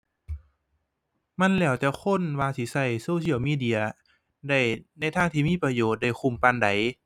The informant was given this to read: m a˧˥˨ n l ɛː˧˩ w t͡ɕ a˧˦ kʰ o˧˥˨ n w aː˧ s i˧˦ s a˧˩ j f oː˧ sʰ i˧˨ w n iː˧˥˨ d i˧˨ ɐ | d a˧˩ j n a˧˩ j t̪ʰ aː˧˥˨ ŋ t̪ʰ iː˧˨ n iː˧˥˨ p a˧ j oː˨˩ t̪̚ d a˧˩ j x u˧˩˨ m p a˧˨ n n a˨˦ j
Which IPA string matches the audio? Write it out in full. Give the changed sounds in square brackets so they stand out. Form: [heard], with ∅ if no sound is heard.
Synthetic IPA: m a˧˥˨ n l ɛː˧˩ w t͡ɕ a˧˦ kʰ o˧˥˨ n w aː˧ s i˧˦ s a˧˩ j [s] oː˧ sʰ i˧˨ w [m] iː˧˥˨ d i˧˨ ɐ | d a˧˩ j n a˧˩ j t̪ʰ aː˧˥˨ ŋ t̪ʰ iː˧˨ [m] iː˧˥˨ p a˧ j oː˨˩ t̪̚ d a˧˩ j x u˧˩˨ m p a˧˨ n [d] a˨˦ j